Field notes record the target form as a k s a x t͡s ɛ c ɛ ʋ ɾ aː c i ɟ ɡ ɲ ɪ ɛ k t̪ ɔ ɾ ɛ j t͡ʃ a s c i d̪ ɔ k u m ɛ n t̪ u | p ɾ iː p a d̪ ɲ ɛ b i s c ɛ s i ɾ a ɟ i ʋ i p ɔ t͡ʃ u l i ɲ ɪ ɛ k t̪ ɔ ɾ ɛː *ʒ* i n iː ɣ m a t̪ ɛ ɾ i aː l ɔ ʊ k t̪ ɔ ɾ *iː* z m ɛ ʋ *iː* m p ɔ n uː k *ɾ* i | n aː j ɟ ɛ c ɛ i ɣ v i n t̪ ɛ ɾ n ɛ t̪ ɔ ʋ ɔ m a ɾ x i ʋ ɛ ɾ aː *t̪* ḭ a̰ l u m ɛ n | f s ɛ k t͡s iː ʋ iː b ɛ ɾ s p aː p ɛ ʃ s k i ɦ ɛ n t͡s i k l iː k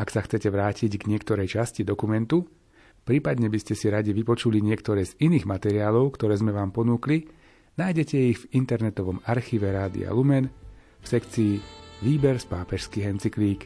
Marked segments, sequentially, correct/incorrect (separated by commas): incorrect, incorrect, incorrect, incorrect, incorrect